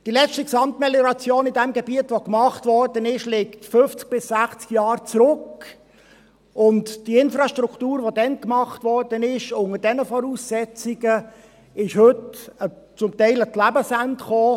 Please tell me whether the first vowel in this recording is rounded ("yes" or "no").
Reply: no